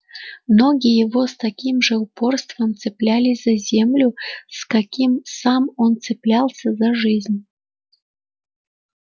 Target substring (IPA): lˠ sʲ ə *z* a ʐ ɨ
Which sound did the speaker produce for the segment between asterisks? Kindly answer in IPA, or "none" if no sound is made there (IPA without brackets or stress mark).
z